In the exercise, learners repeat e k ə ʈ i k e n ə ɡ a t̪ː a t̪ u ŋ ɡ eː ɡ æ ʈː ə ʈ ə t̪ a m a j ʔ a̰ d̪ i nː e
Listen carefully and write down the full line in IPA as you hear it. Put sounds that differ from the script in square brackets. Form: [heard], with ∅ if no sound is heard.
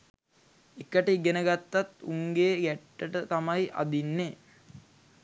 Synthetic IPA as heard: e k ə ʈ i [ɡ] e n ə ɡ a t̪ː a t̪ u ŋ ɡ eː ɡ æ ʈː ə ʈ ə t̪ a m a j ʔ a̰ d̪ i nː e